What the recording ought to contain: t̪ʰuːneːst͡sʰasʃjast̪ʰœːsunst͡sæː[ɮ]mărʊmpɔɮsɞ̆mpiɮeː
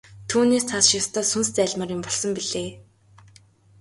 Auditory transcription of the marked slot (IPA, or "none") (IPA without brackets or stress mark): ɮ